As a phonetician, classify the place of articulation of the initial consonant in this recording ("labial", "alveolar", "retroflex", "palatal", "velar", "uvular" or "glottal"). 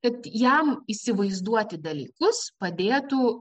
velar